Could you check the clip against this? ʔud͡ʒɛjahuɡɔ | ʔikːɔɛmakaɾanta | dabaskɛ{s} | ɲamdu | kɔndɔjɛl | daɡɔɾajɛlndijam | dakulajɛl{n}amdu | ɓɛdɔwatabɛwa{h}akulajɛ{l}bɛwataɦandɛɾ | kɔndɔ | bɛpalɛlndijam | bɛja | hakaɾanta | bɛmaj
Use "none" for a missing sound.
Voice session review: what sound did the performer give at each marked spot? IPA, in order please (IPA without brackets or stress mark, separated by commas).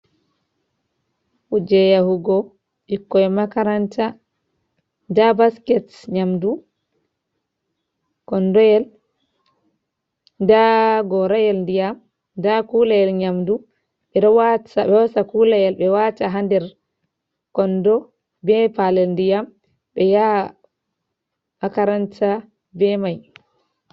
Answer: t, ɲ, s, l